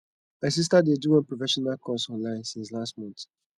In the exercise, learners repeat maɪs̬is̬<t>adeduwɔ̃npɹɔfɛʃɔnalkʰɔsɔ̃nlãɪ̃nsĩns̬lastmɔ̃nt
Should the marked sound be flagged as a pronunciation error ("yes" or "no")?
no